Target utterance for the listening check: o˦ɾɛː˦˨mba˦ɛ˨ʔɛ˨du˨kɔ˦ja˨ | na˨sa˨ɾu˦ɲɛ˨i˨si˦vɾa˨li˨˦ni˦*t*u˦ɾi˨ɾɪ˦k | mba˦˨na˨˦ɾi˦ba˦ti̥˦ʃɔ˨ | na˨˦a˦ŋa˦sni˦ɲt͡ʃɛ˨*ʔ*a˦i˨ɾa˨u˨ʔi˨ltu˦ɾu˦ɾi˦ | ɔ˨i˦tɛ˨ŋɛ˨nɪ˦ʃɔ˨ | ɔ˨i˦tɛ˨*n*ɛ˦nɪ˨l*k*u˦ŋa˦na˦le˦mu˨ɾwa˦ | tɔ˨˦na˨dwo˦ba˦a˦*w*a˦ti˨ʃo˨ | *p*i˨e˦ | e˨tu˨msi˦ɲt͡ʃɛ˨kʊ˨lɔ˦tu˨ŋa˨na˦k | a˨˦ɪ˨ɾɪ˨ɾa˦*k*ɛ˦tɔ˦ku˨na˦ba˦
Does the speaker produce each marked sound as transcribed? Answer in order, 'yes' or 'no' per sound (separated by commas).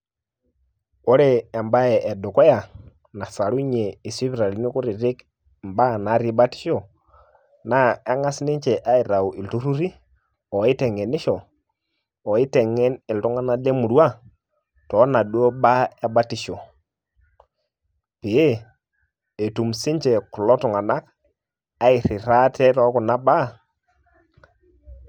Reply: no, yes, no, no, no, yes, no